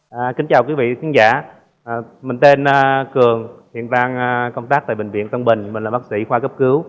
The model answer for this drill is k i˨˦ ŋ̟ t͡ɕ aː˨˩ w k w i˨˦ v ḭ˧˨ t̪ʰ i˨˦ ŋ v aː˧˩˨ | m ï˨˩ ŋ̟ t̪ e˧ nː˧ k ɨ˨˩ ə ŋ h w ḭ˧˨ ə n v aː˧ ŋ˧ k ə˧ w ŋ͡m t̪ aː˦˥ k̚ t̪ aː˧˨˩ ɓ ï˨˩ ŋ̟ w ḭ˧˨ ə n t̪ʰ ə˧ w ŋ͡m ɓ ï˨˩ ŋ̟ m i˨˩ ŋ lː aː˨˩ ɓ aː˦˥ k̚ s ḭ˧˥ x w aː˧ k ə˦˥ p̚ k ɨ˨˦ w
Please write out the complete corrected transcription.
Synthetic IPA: k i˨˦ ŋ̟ t͡ɕ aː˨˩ w k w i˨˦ v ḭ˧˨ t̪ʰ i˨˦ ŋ z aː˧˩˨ | m ï˨˩ ŋ̟ t̪ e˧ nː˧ k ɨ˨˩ ə ŋ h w ḭ˧˨ ə n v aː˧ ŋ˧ k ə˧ w ŋ͡m t̪ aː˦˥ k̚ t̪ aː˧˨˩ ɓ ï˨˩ ŋ̟ v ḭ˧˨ ə n t̪ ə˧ w ŋ͡m ɓ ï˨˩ ŋ̟ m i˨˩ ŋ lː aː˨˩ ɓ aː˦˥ k̚ s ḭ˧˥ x w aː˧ k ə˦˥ p̚ k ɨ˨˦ w